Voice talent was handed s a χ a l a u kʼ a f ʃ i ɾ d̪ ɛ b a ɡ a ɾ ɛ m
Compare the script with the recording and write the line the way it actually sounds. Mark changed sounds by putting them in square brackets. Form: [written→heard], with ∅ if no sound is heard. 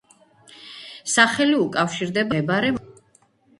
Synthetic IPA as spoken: s a χ [a→ɛ] l [a→i] u kʼ a f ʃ i ɾ d̪ ɛ b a [ɡ→b] a ɾ ɛ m